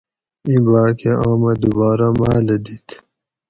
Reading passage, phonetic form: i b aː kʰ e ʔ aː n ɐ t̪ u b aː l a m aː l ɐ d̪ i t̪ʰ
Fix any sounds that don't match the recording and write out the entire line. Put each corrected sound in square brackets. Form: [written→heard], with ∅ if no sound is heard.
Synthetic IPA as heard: i b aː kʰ e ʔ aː [n→m] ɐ [t̪→d̪] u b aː [l→ɾ] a m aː l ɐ d̪ i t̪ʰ